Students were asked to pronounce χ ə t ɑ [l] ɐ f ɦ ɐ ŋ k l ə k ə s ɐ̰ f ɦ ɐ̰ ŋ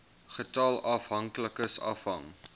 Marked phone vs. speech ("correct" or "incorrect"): correct